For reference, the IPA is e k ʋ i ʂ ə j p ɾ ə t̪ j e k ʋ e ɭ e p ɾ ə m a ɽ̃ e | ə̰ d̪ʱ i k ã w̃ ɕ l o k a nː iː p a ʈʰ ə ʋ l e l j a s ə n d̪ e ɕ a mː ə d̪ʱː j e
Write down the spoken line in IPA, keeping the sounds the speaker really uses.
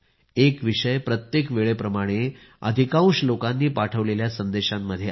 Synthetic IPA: e k ʋ i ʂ ə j p ɾ ə t̪ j e k ʋ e ɭ e p ɾ ə m a ɽ̃ e | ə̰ d̪ʱ i k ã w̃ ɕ l o k a nː iː p a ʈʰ ə ʋ l e l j a s ə n d̪ e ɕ a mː ə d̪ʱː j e